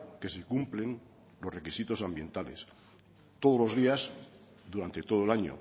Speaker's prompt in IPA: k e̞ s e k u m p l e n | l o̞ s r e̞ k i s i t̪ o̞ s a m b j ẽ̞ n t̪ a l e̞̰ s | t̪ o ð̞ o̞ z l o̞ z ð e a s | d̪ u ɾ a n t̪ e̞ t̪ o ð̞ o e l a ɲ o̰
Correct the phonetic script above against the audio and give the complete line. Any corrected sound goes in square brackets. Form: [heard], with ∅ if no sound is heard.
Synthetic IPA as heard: k e̞ s e k u m p l e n | l o̞ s r e̞ k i s i t̪ o̞ s a m b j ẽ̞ n t̪ a l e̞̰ s | t̪ o ð̞ o̞ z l o̞ z ð [i] a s | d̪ u ɾ a n t̪ e̞ t̪ o ð̞ o e l a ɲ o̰